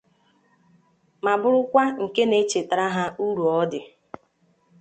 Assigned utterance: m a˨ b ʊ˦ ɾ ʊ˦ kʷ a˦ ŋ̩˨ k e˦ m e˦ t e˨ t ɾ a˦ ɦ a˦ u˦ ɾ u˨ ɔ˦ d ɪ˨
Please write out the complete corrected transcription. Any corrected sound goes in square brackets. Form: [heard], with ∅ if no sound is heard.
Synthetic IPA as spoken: m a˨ b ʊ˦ ɾ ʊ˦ kʷ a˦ ŋ̩˨ k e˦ [n] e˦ [t͡ʃ] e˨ t ɾ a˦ ɦ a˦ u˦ ɾ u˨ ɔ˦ d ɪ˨